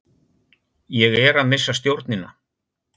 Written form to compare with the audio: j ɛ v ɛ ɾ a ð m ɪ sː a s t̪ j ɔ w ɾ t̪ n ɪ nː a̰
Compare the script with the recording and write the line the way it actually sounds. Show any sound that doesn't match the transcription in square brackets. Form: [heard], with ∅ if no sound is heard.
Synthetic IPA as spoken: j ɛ [ɣ] ɛ ɾ a ð m ɪ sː a s t̪ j [o] w ɾ t̪ n ɪ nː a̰